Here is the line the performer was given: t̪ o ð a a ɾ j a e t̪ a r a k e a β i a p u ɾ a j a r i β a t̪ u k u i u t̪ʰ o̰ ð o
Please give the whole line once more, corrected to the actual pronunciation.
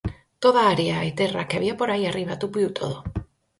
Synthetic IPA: t̪ o ð a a ɾ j a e t̪ e r a k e a β i a p o ɾ a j a r i β a t̪ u p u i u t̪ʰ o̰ ð o